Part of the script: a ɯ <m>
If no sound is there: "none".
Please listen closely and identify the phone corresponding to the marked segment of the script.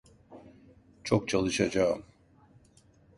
m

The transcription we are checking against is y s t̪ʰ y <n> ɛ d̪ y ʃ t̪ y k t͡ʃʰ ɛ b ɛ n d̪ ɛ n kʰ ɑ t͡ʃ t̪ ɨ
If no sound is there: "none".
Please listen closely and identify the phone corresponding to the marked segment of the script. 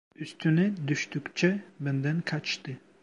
n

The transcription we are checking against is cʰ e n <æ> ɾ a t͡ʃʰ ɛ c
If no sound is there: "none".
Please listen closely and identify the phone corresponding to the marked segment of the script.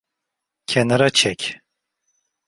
a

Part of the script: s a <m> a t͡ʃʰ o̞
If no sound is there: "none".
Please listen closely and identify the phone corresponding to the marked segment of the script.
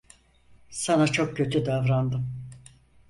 n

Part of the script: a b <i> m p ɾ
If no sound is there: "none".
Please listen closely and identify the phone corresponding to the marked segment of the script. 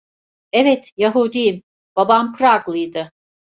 a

